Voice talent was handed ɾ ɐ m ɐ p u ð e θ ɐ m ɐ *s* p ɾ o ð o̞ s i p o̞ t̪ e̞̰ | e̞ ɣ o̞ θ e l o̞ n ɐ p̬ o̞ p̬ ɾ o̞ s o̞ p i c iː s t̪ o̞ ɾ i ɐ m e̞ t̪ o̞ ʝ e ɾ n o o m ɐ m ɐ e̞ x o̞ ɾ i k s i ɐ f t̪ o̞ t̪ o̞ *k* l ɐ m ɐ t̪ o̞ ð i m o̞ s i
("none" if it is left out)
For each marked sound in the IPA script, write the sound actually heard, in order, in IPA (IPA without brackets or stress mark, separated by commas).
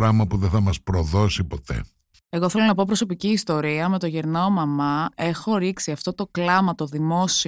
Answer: s, k